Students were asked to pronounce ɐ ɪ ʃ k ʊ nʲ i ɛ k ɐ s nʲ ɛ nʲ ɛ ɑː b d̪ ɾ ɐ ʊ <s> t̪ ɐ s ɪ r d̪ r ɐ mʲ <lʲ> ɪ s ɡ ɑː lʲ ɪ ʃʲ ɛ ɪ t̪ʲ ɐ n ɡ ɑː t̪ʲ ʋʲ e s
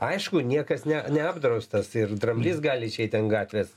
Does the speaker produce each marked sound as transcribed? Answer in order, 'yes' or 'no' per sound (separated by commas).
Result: yes, yes